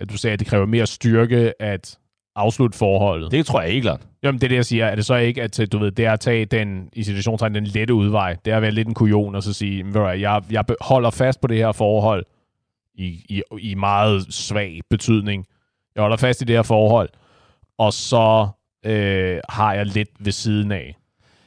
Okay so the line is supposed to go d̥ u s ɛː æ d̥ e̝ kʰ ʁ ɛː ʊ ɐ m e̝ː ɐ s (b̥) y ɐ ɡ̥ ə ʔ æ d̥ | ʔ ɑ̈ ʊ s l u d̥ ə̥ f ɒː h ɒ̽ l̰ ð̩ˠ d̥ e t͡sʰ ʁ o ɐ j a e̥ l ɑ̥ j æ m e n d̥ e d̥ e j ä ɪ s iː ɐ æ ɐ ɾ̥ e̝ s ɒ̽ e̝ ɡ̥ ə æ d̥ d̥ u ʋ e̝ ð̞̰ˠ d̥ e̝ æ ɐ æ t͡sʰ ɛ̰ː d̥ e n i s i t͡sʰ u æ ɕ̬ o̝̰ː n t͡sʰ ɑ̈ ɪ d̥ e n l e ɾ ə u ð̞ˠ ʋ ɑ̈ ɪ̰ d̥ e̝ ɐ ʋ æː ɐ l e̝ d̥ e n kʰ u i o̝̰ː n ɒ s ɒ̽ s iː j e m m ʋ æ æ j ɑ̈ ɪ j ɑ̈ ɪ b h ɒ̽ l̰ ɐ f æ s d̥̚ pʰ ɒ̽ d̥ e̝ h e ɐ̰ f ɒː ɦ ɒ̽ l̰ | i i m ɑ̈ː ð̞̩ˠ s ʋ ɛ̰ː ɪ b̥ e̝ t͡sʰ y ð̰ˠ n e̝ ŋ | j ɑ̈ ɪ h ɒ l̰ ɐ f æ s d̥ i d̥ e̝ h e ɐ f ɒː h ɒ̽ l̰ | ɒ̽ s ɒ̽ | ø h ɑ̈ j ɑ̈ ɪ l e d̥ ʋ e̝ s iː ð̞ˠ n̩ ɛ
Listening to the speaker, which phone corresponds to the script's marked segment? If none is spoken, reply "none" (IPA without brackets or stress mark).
d̥